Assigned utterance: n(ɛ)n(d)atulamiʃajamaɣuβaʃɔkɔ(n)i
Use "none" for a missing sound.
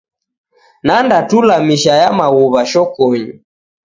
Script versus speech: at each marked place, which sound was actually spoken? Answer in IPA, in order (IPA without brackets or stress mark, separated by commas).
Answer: a, d, ɲ